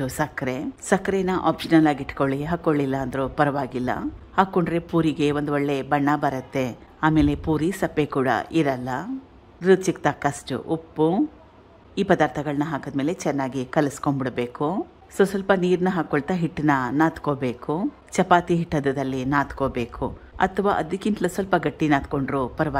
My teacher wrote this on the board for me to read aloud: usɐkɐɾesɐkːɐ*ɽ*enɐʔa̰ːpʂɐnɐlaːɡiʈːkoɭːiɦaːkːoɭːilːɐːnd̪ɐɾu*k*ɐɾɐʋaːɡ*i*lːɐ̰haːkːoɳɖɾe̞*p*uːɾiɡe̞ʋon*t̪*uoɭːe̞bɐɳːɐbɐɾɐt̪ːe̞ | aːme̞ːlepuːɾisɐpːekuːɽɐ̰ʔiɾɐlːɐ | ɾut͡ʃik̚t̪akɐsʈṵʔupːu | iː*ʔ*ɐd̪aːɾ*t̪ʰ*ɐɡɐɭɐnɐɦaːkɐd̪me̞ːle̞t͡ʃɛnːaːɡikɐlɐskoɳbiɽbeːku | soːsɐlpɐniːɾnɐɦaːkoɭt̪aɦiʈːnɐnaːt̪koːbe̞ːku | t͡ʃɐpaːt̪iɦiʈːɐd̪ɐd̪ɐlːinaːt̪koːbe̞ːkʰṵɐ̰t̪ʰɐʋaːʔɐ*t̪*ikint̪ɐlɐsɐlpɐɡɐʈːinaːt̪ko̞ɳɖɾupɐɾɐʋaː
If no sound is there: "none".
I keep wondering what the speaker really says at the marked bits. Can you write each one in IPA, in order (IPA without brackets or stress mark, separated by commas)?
ɾ, p, i, p, d̪, p, t̪ʰ, d̪